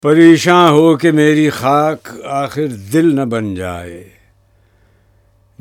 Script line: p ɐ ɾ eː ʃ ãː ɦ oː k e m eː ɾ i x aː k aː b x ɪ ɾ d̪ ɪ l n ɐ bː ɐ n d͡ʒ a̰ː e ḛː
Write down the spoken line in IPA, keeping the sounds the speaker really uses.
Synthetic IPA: p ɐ ɾ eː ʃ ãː ɦ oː k e m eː ɾ i x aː k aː x ɪ ɾ d̪ ɪ l n ɐ b ɐ n d͡ʒ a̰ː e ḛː